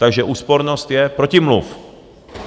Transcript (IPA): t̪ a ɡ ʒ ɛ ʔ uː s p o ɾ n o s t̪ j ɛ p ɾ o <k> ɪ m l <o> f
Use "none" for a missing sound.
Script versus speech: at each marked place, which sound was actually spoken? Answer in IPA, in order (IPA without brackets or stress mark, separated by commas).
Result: c, u